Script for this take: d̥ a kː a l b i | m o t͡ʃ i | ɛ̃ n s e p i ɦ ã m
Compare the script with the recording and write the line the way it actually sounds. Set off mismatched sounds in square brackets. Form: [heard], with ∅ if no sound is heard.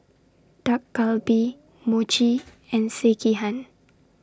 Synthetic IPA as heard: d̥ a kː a l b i | m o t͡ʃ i | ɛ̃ n s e [k] i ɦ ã [n]